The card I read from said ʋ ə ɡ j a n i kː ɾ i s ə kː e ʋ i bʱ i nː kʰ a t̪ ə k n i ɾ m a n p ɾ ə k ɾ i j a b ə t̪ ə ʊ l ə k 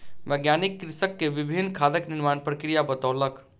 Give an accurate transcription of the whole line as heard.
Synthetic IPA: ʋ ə ɡ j a n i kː ɾ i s ə kː e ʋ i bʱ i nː kʰ a d̪ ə k n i ɾ m a n p ɾ ə k ɾ i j a b ə t̪ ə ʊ l ə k